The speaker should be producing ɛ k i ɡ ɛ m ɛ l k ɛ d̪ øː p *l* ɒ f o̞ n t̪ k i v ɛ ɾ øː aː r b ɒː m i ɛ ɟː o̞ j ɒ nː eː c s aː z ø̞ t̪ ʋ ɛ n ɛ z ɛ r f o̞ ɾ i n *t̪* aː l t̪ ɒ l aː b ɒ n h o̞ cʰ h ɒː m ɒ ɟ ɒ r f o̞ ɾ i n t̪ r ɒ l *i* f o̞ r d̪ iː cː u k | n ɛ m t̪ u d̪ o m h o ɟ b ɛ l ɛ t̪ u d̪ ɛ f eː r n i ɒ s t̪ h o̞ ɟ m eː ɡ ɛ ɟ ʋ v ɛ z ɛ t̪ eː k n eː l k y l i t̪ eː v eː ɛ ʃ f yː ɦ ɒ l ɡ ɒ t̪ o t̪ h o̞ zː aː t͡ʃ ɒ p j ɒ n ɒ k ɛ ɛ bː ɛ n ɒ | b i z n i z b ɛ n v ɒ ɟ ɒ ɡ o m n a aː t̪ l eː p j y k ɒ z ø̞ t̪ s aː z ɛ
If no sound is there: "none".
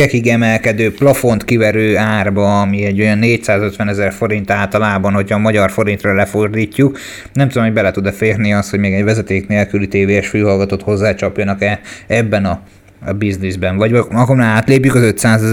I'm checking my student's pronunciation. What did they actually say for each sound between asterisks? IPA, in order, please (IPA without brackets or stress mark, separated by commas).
l, t̪, ɛ